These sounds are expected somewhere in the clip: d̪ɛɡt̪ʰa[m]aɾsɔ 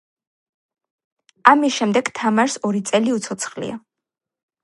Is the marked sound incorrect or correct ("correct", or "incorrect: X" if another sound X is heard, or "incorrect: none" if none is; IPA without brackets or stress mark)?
correct